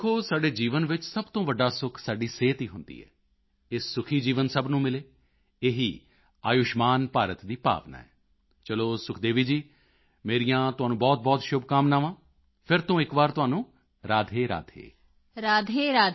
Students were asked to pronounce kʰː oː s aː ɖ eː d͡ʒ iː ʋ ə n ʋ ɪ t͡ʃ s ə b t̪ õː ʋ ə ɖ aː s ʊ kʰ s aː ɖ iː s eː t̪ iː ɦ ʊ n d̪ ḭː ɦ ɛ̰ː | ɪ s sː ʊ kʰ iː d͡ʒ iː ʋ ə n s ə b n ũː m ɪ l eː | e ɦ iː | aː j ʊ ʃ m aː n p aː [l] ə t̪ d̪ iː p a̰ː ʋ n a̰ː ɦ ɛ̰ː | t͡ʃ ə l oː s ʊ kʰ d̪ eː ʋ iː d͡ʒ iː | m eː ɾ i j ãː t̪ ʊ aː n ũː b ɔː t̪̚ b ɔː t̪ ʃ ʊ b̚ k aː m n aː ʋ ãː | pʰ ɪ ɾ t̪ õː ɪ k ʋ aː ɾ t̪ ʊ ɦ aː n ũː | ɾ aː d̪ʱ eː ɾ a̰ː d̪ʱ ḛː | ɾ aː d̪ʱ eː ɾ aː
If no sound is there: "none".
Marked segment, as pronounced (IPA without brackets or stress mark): ɾ